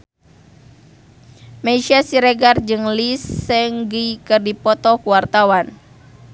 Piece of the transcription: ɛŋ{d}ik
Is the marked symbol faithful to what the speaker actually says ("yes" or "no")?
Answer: no